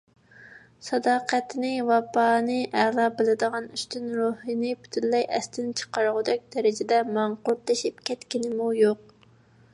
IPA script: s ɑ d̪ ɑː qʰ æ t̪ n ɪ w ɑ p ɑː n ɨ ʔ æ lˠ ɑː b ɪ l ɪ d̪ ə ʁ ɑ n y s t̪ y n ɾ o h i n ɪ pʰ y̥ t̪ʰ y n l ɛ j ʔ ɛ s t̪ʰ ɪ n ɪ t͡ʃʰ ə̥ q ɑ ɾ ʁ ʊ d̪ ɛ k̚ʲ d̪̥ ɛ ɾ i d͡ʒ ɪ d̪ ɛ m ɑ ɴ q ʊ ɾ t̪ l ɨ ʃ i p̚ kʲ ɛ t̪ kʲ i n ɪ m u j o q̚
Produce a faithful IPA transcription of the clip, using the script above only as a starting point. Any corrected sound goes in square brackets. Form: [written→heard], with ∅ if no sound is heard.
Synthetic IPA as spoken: s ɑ d̪ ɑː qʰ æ t̪ n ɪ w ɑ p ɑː n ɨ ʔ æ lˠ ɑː b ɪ l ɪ d̪ ə ʁ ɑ n y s t̪ y n ɾ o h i n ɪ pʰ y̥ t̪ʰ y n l ɛ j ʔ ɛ s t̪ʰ ɪ n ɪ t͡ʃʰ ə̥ q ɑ ɾ ʁ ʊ d̪ ɛ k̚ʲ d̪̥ ɛ ɾ [i→ɪ] d͡ʒ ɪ d̪ ɛ m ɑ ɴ q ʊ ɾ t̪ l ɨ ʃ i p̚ kʲ ɛ t̪ kʲ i n ɪ m u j o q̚